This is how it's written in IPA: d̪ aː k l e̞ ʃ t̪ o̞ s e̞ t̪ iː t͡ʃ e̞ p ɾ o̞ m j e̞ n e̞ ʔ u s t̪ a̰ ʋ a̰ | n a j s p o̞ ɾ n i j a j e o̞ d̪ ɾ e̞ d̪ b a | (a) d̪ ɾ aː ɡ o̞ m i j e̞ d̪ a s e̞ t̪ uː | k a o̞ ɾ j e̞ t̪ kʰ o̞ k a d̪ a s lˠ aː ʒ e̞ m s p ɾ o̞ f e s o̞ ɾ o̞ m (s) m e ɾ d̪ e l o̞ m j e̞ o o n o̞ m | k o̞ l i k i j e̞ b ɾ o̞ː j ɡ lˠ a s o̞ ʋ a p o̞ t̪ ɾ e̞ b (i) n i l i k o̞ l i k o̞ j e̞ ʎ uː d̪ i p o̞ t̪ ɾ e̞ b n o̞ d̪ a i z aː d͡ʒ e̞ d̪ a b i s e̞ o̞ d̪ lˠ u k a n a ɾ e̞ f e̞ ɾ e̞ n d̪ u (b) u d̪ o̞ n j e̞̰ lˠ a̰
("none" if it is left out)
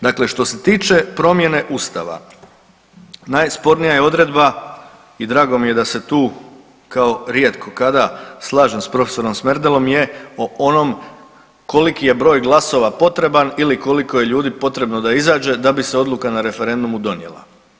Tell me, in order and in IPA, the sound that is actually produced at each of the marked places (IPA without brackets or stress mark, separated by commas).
i, s, a, m